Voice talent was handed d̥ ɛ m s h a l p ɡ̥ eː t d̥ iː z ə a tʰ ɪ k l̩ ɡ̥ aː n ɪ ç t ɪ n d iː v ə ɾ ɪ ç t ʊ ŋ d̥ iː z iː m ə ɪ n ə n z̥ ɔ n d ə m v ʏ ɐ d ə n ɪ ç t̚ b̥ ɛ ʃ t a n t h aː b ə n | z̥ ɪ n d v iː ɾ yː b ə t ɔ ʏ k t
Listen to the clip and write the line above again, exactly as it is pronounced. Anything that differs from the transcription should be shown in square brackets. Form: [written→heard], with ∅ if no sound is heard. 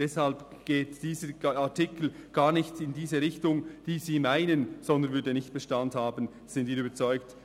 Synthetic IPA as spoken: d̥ ɛ [m→∅] s h a l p ɡ̥ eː t d̥ iː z ə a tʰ ɪ k l̩ ɡ̥ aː n ɪ ç t ɪ n d iː [v→z] ə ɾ ɪ ç t ʊ ŋ d̥ iː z iː m [ə→a] ɪ n ə n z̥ ɔ n d ə [m→n] v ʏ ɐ d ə n ɪ ç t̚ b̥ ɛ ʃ t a n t h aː b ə n | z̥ ɪ n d v iː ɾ yː b ə [t→t͡s] ɔ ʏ k t